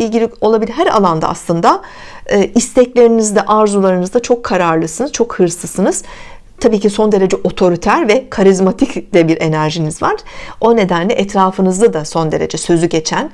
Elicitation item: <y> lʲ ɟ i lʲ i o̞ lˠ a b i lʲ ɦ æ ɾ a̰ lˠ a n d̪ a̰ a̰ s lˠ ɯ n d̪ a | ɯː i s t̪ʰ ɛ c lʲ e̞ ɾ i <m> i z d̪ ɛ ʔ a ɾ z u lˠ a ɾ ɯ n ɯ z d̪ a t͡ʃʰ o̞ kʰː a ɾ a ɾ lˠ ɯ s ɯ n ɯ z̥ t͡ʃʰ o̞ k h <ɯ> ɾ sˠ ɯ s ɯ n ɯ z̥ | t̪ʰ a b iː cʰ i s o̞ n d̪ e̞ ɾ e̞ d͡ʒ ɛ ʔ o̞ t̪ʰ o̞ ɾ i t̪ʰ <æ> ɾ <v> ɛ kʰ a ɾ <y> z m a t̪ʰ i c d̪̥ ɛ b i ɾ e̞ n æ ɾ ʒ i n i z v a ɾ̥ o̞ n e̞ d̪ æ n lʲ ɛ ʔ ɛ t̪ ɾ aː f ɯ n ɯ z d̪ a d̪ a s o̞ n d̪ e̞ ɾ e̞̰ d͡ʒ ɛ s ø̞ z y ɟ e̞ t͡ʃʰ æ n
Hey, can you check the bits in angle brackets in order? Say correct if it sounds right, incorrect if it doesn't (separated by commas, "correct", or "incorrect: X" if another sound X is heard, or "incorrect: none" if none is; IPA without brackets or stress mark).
incorrect: i, incorrect: n, correct, correct, correct, incorrect: i